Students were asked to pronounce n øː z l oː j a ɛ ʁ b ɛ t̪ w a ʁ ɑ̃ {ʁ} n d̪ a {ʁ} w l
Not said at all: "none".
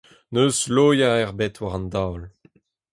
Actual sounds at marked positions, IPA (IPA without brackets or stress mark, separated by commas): none, none